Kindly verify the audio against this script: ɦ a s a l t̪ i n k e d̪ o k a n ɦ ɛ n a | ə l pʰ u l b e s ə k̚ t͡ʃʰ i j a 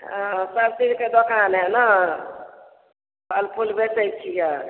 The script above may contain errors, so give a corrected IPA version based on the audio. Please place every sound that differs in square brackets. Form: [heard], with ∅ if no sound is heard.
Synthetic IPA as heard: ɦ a s a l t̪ i n k e d̪ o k a n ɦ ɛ n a | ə l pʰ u l b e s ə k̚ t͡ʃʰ i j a